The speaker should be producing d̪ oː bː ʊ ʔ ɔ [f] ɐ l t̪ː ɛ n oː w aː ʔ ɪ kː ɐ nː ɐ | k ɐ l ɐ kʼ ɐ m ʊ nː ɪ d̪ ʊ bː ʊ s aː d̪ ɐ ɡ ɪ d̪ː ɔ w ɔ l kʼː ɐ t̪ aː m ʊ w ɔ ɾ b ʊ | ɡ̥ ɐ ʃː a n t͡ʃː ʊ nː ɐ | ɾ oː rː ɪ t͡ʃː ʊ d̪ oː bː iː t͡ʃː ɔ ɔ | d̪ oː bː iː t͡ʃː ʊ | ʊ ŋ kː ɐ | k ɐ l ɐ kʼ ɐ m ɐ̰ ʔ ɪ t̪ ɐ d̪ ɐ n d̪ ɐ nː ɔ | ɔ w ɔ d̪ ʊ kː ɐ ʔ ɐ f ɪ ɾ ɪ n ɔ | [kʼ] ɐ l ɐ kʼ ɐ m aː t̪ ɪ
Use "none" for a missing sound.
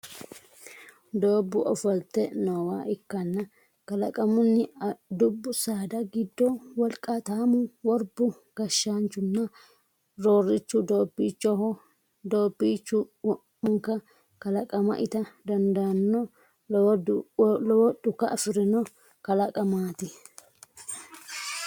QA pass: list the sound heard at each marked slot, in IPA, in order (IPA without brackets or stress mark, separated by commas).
f, k